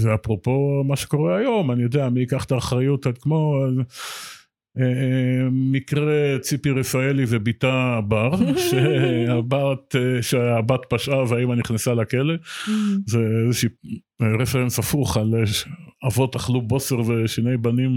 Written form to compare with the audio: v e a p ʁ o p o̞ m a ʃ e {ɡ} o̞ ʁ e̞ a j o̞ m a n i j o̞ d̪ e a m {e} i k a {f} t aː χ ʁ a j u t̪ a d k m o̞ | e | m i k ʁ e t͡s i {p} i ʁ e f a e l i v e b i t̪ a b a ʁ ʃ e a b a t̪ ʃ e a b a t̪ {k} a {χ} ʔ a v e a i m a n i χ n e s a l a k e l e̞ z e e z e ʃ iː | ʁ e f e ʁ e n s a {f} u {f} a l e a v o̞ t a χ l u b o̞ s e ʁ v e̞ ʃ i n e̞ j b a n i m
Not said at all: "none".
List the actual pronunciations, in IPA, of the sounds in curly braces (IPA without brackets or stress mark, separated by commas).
k, i, χ, p, p, ʃ, f, χ